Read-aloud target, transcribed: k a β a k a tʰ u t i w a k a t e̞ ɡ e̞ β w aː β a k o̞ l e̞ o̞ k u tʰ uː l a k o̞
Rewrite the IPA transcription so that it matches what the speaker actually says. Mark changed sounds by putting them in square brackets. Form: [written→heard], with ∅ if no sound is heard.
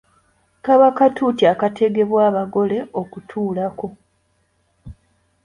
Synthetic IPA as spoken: k a β a k a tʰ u t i [w→∅] a k a t e̞ ɡ e̞ β w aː β a [k→ɡ] o̞ l e̞ o̞ k u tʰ uː l a k o̞

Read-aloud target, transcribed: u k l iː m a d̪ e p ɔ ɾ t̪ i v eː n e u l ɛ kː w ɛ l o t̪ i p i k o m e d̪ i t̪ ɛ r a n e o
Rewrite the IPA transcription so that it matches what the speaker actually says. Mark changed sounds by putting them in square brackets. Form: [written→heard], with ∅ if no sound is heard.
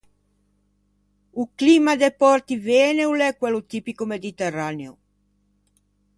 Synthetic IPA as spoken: u k l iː m a d̪ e p ɔ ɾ t̪ i v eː n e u l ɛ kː w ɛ l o t̪ i p i k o m e d̪ i t̪ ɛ r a n e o

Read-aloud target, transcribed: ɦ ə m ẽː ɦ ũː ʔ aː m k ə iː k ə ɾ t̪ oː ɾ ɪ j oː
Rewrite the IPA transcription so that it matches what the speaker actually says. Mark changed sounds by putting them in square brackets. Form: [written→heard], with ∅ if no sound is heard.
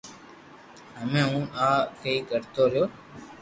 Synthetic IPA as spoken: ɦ ə m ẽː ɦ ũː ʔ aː [m→∅] k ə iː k ə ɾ t̪ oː ɾ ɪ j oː

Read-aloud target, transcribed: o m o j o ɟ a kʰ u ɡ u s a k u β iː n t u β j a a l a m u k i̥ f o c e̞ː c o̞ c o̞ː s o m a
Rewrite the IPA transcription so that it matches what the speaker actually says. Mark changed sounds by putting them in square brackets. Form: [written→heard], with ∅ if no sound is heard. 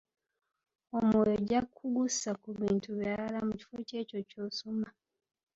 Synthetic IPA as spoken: o m o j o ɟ a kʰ u ɡ u s a k u β iː n t u β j a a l a m u [k→c] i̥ f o c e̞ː c o̞ c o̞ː s o m a

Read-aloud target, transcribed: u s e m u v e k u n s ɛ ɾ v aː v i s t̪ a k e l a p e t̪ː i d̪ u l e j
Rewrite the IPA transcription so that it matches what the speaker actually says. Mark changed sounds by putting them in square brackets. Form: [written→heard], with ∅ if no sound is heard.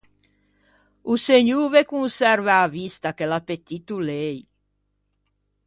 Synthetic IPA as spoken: u s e [m→ɲ] u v e k u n s ɛ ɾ v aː v i s t̪ a k e l a p e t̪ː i [d̪→t̪] u l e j

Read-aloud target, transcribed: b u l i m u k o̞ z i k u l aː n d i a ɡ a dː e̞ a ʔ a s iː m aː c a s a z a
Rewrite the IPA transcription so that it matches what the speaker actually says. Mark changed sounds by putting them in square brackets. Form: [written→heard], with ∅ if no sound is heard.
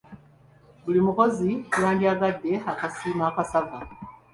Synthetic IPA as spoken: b u l i m u k o̞ z i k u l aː n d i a ɡ a dː e̞ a [ʔ→k] a s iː m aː [c→k] a s a [z→v] a

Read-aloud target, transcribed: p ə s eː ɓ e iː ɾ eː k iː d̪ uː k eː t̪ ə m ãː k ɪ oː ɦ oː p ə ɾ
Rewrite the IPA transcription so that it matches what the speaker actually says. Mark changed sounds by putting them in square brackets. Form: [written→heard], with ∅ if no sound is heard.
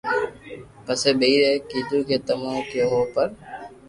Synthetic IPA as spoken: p ə s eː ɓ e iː ɾ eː k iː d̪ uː k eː t̪ ə m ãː k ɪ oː ɦ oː p ə ɾ

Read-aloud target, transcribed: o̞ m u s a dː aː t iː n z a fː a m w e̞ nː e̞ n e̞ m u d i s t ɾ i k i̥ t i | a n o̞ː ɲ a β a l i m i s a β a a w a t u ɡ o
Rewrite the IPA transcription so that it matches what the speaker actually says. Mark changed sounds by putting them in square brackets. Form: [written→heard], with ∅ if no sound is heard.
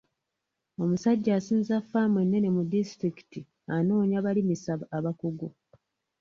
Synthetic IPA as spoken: o̞ m u s a [dː→ɟː] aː [t→s] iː n z a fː a m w e̞ nː e̞ n e̞ m u d i s t ɾ i k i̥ t i | a n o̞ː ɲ a β a l i m i s a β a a [w→β] a [t→k] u ɡ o

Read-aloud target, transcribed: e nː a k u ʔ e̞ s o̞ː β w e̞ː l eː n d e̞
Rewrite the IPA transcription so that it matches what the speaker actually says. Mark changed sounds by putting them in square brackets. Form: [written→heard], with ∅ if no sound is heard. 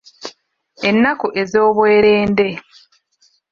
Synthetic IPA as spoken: e nː a k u ʔ e̞ [s→z] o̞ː β w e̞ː [l→ɾ] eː n d e̞

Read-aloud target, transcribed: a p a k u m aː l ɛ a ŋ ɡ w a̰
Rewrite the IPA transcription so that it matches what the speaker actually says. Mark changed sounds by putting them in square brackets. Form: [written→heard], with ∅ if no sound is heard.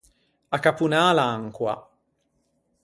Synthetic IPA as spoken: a [p→k] a [k→p] u [m→n] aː l [ɛ→a] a ŋ [ɡ→k] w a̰

